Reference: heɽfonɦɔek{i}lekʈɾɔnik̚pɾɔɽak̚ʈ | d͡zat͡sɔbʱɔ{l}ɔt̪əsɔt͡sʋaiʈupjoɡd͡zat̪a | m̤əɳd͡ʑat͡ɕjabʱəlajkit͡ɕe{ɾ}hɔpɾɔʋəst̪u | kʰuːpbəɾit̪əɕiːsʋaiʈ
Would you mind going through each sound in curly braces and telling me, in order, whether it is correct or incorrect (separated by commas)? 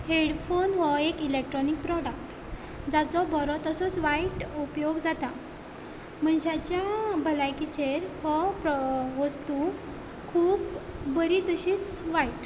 correct, incorrect, correct